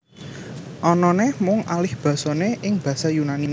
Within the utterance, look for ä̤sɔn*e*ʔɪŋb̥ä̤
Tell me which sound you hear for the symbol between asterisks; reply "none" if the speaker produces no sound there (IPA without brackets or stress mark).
e